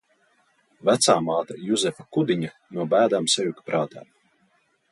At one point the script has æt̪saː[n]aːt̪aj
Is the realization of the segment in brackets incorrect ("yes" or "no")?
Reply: yes